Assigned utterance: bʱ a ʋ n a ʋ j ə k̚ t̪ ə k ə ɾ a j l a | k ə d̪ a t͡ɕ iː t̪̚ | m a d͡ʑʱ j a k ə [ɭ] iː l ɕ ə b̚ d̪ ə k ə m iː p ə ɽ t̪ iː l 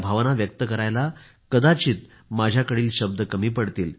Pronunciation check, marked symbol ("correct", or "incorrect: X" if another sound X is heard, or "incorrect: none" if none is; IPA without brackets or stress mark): incorrect: ɽ